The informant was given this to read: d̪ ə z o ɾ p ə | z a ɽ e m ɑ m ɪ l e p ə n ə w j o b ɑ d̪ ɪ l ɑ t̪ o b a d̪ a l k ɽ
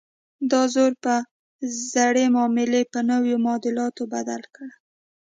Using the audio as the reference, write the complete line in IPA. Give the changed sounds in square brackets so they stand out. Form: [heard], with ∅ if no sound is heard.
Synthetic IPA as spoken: d̪ [ɑ] z o ɾ p ə | z a ɽ e m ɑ m ɪ l e p ə n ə w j o [m] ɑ d̪ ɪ l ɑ t̪ o b a d̪ a l k ɽ